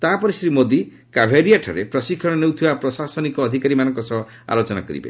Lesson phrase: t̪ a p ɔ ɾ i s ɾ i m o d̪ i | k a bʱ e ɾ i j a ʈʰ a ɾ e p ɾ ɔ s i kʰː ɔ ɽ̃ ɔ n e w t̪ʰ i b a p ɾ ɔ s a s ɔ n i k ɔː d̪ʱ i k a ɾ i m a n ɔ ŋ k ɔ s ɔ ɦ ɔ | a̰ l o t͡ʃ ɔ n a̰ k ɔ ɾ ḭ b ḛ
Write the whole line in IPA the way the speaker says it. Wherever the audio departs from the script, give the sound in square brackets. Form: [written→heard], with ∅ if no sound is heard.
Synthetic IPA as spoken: t̪ a p ɔ ɾ i s ɾ i m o d̪ i | k a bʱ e ɾ i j a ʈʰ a ɾ e p ɾ ɔ s i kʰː ɔ ɽ̃ ɔ n e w t̪ʰ i b a p ɾ ɔ s a s ɔ n i k ɔː d̪ʱ i k a ɾ i m a n ɔ ŋ k ɔ s ɔ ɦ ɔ | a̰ l o t͡ʃ ɔ n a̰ k ɔ ɾ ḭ b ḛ

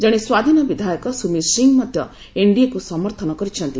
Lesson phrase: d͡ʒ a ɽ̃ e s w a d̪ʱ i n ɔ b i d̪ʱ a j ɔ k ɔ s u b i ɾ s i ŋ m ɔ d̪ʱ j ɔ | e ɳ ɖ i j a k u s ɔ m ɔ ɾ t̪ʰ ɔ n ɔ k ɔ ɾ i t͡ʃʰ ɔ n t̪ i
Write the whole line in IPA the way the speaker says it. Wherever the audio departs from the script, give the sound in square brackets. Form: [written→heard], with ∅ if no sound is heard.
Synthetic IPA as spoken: d͡ʒ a ɽ̃ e s w a d̪ʱ i n ɔ b i d̪ʱ a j ɔ k ɔ s u [b→m] i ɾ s i ŋ m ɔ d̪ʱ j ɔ | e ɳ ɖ i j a k u s ɔ m ɔ ɾ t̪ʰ ɔ n ɔ k ɔ ɾ i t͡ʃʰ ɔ n t̪ i

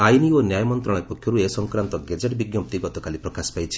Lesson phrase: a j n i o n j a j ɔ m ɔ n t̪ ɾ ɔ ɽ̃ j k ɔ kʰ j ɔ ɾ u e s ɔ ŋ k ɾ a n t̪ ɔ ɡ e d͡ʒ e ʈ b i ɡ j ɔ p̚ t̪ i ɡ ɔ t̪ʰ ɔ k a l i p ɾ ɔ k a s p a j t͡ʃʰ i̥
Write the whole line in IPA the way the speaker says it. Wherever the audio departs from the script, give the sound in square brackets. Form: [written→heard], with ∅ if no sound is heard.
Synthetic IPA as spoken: a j n i o n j a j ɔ m ɔ n t̪ ɾ ɔ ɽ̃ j [k→p] ɔ kʰ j ɔ ɾ u e s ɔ ŋ k ɾ a n t̪ ɔ ɡ e d͡ʒ e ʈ b i ɡ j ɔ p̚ t̪ i ɡ ɔ [t̪ʰ→t̪] ɔ k a l i p ɾ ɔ k a s p a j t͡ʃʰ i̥

